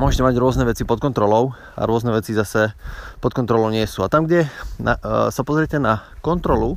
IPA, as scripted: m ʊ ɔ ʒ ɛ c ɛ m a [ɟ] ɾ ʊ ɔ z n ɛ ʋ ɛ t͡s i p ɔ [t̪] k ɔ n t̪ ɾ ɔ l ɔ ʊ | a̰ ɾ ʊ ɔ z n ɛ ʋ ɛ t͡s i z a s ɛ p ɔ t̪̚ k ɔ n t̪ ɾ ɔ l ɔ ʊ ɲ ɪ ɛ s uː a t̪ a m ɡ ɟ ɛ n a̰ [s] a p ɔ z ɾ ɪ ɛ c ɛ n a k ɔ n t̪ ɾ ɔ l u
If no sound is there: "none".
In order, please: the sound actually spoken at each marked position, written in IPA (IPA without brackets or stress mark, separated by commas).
ɟ, t̪, s